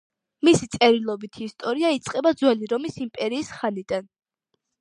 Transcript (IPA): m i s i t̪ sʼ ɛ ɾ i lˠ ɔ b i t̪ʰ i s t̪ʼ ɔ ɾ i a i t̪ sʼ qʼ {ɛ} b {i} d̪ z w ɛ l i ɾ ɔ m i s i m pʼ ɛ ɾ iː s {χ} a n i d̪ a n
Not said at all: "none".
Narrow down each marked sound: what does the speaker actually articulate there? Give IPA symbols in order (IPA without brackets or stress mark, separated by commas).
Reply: ɛ, a, χ